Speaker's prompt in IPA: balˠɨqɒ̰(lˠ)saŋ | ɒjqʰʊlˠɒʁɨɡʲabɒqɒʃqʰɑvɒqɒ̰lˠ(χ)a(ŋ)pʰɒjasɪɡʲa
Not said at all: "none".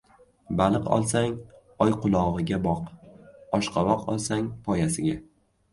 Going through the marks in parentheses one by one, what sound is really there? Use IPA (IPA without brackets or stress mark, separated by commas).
lˠ, s, ŋ